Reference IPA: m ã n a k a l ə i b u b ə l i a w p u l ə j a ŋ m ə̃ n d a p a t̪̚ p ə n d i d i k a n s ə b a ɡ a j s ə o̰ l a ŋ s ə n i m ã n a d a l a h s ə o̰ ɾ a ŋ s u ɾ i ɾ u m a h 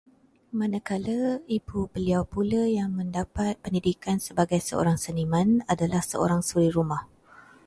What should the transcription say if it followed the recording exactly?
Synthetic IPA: m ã n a k a l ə i b u b ə l i a w p u l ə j a ŋ m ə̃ n d a p a t̪̚ p ə n d i d i k a n s ə b a ɡ a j s ə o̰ ɾ a ŋ s ə n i m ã n a d a l a h s ə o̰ ɾ a ŋ s u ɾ i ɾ u m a h